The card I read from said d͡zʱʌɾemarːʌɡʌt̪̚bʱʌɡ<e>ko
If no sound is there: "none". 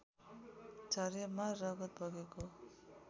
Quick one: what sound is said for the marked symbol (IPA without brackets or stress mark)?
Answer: e